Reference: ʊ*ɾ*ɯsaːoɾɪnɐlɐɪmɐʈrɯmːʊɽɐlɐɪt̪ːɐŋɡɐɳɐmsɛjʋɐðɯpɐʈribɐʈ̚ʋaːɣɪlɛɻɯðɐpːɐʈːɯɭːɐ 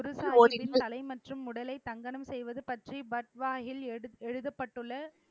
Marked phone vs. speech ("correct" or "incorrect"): correct